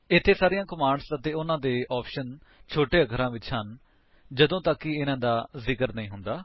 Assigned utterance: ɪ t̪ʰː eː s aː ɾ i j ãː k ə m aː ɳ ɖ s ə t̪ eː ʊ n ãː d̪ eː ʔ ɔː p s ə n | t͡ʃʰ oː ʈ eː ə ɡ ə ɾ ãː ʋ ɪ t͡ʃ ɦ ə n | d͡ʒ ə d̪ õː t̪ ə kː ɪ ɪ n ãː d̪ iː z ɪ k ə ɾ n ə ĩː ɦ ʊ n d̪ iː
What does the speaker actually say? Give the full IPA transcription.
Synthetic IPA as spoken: ɪ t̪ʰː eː s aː ɾ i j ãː k ə m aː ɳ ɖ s ə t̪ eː ʊ n ãː d̪ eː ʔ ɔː p ʃ ə n | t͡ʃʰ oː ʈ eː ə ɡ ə ɾ ãː ʋ ɪ t͡ʃ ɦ ə n | d͡ʒ ə d̪ õː t̪ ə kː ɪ ɪ n ãː d̪ aː z ɪ k ə ɾ n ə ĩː ɦ ʊ n d̪ aː